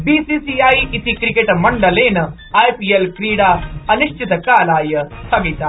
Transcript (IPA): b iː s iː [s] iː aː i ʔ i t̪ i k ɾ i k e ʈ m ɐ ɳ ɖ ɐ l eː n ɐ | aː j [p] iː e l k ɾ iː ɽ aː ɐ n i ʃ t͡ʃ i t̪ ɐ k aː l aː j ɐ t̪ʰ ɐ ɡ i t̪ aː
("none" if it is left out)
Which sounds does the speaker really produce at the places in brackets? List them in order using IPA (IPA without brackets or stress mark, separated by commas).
s, p